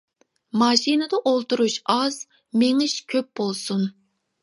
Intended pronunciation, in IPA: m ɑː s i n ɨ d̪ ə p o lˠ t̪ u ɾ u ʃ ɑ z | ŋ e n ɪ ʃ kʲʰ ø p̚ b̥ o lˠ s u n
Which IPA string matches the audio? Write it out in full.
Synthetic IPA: m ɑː ʃ i n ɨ d̪ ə ʔ o lˠ t̪ u ɾ u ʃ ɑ z | m e ŋ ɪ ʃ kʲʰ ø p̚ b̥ o lˠ s u n